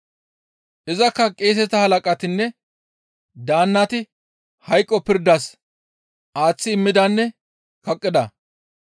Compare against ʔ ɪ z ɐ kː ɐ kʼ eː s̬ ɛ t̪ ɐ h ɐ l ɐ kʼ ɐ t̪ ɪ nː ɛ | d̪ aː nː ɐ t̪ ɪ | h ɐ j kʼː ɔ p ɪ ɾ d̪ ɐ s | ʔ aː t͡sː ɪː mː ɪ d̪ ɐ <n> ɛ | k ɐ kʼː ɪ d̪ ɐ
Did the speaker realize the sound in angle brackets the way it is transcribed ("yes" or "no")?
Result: no